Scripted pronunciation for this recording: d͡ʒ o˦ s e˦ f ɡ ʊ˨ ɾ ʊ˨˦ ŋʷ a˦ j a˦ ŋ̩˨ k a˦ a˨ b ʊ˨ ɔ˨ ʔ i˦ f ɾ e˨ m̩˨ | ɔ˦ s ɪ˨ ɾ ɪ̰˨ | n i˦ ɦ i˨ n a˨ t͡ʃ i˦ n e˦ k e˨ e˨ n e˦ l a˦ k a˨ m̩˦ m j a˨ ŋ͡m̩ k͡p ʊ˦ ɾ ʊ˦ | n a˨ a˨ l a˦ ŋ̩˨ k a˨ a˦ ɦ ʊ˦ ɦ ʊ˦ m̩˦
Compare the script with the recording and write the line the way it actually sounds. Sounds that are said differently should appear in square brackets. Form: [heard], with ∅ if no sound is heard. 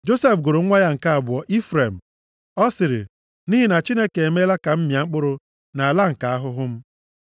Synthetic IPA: d͡ʒ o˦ s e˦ f ɡ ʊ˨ ɾ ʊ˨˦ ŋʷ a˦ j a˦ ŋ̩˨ k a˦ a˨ b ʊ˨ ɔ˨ ʔ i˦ f ɾ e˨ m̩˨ | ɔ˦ s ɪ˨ ɾ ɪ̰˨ | n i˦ ɦ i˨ n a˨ t͡ʃ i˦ n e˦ k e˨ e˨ [m] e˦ l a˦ k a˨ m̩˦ m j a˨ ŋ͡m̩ k͡p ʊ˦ ɾ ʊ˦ | n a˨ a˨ l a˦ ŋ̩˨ k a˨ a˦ ɦ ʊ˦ ɦ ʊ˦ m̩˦